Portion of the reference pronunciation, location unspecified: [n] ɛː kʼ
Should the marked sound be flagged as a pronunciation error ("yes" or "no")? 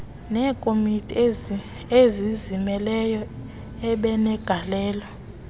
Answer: no